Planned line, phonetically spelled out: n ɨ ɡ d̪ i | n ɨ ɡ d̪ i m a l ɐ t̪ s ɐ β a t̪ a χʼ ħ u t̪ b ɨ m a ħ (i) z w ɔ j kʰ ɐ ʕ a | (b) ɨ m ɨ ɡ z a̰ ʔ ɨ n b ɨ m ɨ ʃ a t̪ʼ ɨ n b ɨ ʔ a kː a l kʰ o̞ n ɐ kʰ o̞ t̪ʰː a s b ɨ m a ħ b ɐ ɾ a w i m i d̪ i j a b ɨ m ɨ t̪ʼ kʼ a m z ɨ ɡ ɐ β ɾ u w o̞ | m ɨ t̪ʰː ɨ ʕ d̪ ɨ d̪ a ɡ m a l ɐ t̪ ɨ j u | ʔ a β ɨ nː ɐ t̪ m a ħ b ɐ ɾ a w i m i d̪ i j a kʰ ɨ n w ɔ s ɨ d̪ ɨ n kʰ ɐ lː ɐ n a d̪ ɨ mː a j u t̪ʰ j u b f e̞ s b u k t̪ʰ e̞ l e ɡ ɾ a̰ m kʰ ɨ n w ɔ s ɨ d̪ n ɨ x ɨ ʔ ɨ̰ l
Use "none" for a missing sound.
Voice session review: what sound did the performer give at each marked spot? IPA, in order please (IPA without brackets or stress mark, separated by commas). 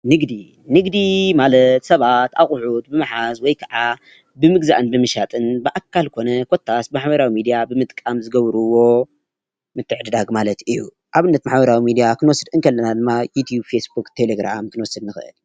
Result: a, b